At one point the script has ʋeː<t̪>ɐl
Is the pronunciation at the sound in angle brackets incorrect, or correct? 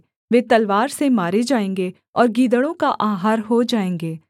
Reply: correct